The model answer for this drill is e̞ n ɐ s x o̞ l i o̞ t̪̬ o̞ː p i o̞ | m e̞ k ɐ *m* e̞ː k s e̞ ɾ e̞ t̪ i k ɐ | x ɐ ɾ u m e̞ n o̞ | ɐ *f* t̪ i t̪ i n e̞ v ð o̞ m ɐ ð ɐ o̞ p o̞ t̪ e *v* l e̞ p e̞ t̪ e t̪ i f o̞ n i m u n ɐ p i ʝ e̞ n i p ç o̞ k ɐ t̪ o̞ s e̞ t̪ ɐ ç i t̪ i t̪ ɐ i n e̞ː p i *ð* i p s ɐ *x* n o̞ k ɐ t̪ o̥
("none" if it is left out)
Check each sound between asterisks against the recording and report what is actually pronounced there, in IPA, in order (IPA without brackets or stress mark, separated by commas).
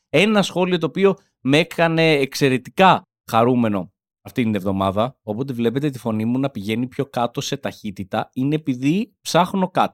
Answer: n, f, v, ð, x